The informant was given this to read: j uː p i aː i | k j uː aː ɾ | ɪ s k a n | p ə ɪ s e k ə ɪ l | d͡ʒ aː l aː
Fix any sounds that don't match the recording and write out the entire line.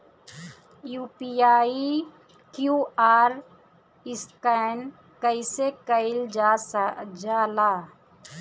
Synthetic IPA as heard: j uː p i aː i | k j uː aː ɾ | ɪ s k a n | k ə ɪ s e k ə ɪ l | d͡ʒ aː l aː